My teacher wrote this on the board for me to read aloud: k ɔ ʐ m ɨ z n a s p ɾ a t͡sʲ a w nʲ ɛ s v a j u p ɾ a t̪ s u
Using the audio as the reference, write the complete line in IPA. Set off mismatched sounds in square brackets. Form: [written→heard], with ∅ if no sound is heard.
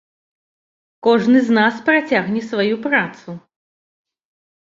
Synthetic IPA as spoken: k ɔ ʐ [m→n] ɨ z n a s p ɾ a t͡sʲ a [w→ɣ] nʲ ɛ s v a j u p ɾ a t̪ s u